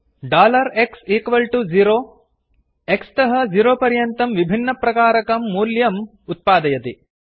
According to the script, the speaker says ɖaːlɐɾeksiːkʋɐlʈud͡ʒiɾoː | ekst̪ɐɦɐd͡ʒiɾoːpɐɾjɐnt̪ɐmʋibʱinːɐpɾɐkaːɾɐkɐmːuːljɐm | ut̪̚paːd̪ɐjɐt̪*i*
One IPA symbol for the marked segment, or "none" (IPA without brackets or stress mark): i